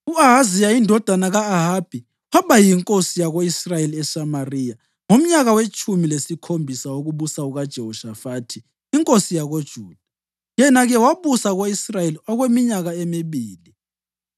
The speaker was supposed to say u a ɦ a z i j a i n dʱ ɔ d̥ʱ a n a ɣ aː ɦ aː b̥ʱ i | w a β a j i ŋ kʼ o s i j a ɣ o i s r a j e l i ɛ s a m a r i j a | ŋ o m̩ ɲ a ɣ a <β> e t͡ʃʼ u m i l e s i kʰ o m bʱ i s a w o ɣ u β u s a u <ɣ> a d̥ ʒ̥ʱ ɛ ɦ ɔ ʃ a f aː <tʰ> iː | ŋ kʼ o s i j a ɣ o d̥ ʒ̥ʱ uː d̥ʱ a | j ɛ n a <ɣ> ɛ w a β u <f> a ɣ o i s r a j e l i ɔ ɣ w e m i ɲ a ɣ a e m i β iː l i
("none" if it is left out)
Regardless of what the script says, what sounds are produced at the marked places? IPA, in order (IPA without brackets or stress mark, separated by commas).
w, ɣ, tʰ, ɣ, s